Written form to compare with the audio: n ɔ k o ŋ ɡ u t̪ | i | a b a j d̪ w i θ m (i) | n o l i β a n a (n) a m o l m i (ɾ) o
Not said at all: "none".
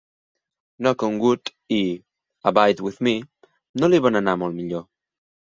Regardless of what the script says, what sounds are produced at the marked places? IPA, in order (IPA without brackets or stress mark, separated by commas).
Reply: i, n, ʎ